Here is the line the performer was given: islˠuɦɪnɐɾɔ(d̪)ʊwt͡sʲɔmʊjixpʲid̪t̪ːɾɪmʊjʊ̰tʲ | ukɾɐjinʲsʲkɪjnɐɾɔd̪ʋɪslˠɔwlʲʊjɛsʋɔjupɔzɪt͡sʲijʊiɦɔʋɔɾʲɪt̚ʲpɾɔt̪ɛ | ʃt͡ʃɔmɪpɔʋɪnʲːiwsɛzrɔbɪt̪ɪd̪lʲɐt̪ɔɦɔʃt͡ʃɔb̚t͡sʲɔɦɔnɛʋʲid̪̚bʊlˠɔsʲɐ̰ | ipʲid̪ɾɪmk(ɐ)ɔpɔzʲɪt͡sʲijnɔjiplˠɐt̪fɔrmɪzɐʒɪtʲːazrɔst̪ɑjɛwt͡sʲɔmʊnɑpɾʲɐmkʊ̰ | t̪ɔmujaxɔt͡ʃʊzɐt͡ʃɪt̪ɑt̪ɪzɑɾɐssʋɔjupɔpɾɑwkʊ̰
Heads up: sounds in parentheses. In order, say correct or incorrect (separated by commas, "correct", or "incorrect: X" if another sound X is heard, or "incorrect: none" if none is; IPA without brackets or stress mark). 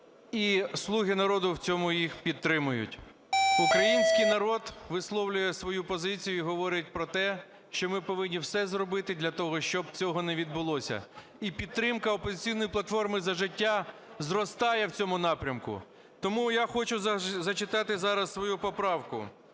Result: correct, correct